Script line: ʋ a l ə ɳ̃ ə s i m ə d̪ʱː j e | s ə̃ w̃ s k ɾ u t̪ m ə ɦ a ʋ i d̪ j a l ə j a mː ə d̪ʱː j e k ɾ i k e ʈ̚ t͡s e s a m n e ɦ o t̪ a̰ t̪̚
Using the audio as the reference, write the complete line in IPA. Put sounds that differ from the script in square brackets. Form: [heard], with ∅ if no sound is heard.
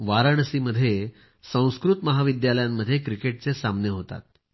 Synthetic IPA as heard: ʋ a [ɾ] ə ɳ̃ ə s i m ə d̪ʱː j e | s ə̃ w̃ s k ɾ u t̪ m ə ɦ a ʋ i d̪ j a l ə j a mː ə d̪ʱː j e k ɾ i k e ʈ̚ t͡s e s a m n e ɦ o t̪ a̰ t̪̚